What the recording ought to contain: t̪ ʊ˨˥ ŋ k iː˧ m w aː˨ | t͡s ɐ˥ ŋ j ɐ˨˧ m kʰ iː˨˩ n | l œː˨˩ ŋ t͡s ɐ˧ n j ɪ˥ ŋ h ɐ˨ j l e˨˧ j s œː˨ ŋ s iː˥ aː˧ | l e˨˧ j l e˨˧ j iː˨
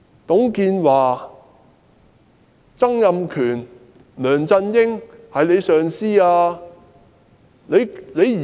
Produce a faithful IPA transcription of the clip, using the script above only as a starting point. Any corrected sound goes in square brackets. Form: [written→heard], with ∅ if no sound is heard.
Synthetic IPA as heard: t̪ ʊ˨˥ ŋ k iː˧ [m→n] w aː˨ | t͡s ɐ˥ ŋ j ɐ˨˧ m kʰ [iː˨˩→yː˨˩] n | l œː˨˩ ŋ t͡s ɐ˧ n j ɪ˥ ŋ h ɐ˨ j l e˨˧ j s œː˨ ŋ s iː˥ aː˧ | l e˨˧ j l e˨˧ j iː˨